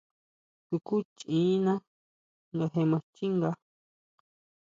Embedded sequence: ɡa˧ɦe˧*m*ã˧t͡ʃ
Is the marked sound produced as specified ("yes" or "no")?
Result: yes